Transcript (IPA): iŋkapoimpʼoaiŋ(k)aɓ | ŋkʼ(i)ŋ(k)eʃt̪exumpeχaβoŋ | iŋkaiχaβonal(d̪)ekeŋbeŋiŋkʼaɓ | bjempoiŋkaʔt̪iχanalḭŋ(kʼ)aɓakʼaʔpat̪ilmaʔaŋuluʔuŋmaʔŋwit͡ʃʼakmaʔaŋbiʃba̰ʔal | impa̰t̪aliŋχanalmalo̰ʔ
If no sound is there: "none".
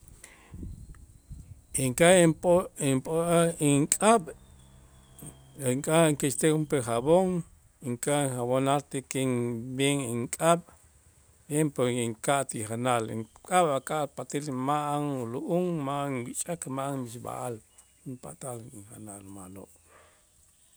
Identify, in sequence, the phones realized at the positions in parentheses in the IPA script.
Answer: kʼ, a, k, t̪, kʼ

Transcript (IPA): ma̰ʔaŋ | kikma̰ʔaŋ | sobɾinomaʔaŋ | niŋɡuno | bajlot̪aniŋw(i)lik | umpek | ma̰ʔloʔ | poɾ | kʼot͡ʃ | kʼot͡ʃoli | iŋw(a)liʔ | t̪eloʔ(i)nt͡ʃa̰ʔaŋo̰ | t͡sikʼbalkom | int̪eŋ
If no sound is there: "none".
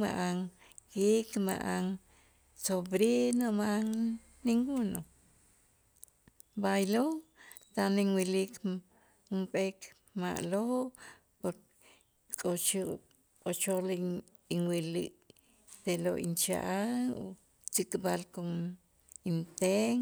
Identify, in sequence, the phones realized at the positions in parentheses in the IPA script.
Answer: i, i, i

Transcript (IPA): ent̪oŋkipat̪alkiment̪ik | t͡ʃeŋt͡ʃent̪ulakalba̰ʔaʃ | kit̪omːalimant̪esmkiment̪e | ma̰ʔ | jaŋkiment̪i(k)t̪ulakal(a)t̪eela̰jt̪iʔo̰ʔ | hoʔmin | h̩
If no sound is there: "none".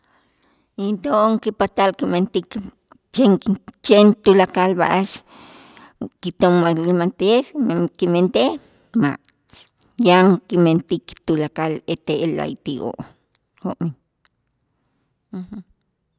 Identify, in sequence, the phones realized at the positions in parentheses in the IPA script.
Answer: k, e

